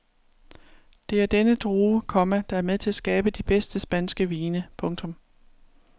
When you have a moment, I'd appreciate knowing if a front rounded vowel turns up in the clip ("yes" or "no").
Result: no